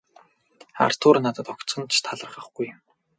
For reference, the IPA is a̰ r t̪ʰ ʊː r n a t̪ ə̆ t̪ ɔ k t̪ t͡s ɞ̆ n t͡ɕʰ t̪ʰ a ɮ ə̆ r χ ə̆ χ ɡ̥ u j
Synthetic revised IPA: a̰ r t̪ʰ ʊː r n a t̪ ə̆ t̪ ɔ k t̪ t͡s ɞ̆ n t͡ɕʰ t̪ʰ a ɮ ə̆ r χ ə̆ χ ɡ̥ u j